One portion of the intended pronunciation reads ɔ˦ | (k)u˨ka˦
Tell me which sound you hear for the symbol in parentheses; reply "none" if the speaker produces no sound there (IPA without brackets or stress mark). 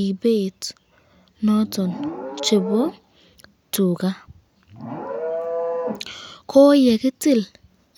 t